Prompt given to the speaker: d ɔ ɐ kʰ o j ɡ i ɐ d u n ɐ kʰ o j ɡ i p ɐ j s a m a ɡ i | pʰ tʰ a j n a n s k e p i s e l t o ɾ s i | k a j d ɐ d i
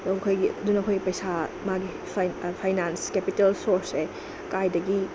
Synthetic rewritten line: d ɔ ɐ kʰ o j ɡ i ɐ d u n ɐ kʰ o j ɡ i p ɐ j s a m a ɡ i | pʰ pʰ a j n a n s k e p i t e l s o ɾ s e | k a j d ɐ ɡ i